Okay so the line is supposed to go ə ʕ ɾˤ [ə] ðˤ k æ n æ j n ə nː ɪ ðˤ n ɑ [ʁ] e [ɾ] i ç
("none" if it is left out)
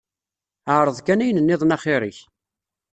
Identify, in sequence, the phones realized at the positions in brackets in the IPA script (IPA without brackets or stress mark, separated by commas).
ə, χ, ɾ